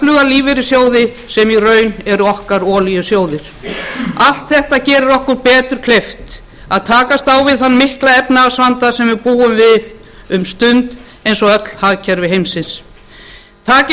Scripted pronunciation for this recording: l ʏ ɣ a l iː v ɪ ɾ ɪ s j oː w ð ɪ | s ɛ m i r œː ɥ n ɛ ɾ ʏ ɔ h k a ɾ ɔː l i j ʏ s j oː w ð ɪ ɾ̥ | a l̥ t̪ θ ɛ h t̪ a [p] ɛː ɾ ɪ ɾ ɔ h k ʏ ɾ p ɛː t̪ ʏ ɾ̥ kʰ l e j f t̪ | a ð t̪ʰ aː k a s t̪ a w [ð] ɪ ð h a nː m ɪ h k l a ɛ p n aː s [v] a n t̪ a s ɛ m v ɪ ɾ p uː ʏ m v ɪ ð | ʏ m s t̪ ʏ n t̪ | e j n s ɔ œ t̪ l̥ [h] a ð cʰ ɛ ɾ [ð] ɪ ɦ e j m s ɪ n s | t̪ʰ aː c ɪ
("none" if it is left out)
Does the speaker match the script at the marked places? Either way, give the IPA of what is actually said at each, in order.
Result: c, v, v, h, v

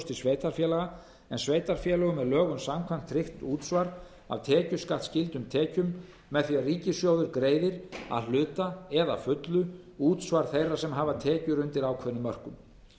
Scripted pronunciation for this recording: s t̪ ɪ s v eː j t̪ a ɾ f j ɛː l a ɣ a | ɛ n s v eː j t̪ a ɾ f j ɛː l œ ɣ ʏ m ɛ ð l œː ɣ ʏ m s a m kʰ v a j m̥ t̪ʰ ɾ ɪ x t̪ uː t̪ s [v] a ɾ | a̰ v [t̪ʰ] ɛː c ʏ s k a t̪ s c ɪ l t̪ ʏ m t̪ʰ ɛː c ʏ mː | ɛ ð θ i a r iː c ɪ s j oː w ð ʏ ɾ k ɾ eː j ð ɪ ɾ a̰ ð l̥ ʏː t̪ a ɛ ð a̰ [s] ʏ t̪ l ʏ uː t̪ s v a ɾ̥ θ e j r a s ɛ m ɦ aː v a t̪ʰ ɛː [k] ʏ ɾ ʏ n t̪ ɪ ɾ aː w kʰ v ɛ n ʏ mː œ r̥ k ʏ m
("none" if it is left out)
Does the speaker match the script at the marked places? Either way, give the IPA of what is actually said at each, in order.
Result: v, t̪ʰ, f, c

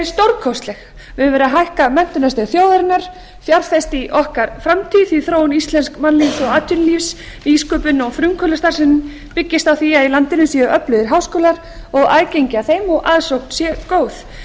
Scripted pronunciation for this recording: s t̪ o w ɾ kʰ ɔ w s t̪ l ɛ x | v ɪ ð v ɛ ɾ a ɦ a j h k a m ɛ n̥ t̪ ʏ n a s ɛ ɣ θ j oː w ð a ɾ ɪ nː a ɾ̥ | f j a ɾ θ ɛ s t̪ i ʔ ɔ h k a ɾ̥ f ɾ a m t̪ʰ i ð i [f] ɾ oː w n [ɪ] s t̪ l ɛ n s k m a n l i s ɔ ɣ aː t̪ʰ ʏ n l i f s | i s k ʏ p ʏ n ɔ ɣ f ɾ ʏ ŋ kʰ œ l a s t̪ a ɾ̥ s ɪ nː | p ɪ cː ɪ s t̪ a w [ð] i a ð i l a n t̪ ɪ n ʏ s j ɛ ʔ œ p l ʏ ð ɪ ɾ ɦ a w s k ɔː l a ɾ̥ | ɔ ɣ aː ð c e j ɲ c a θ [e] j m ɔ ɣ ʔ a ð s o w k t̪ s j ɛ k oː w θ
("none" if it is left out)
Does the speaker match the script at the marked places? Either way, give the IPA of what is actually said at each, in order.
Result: θ, i, θ, e

